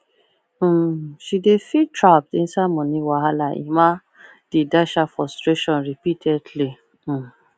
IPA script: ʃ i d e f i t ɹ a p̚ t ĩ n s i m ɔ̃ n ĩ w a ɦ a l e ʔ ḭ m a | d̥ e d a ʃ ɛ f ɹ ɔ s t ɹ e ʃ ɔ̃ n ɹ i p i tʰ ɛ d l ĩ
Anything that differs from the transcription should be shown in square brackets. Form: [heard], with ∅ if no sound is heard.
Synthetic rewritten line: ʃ i d e f i t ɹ a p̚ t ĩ n s [a] m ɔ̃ n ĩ w a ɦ a l [a] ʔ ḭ m a | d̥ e d a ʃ [a] f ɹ ɔ s t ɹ e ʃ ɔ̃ n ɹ i p i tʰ ɛ d l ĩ